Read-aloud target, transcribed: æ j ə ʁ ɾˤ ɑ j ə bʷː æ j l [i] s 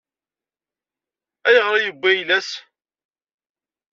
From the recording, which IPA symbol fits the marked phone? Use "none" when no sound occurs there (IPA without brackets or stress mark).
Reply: æ